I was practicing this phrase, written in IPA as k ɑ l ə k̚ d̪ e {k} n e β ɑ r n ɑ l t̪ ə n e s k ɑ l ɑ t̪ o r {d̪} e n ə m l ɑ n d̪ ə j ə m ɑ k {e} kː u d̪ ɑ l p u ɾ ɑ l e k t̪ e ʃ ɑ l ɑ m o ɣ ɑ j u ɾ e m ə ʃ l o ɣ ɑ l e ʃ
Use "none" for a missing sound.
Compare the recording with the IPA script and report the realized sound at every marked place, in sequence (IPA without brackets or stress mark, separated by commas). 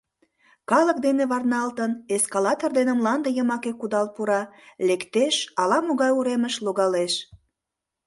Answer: none, d̪, e